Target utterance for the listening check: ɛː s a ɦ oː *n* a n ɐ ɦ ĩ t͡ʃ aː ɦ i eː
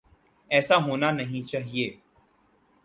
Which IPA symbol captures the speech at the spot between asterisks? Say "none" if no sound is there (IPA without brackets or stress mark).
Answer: n